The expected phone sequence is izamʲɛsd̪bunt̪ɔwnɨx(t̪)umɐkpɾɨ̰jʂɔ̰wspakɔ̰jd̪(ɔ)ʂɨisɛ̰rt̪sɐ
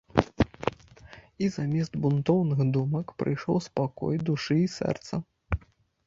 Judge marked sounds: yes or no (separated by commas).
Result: no, no